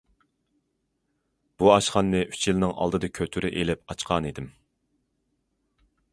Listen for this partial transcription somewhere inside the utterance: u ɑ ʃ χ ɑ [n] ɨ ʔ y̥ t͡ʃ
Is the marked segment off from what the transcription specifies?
yes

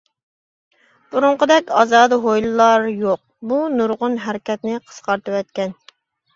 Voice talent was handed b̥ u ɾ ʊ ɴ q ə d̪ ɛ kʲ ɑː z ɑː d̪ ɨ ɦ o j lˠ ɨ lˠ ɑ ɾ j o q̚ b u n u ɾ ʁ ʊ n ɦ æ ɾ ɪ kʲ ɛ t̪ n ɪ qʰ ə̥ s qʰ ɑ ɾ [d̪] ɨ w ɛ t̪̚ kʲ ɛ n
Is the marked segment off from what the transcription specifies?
yes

